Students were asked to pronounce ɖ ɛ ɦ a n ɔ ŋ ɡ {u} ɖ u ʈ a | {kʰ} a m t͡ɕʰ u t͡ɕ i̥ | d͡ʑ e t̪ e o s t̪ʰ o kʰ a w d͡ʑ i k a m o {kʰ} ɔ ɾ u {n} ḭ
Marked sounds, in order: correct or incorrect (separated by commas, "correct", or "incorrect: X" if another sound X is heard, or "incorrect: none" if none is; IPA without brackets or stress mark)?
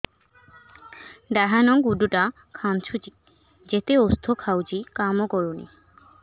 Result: correct, correct, incorrect: k, correct